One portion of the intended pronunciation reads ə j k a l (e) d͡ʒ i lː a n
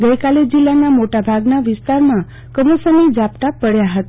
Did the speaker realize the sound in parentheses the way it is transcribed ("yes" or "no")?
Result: yes